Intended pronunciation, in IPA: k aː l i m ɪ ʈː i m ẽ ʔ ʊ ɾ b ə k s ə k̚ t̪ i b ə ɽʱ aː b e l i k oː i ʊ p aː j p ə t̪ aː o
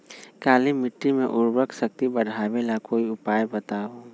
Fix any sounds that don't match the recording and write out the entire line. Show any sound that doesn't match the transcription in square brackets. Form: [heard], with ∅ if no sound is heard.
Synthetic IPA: k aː l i m ɪ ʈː i m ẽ ʔ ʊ ɾ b ə k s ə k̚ t̪ i b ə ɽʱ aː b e l [a] k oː i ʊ p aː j [b] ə t̪ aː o